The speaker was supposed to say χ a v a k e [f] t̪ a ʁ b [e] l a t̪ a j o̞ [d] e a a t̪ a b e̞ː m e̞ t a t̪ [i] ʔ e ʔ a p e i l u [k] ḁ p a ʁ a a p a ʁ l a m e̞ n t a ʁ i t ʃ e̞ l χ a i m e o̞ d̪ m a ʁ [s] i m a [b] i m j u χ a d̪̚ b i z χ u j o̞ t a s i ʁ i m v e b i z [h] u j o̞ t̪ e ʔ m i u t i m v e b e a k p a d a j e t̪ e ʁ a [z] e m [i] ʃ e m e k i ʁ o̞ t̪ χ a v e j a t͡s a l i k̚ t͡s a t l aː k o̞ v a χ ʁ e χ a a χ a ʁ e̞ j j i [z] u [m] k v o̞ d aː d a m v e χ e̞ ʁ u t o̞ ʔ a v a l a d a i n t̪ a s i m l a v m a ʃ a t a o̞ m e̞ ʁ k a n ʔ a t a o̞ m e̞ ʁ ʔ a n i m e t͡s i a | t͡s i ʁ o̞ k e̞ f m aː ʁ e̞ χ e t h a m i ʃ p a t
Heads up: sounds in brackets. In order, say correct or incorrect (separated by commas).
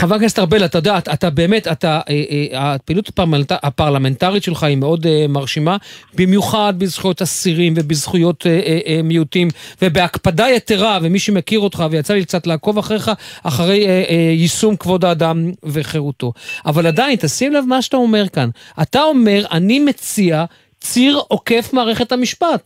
incorrect, correct, correct, incorrect, incorrect, incorrect, correct, incorrect, incorrect, correct, incorrect, correct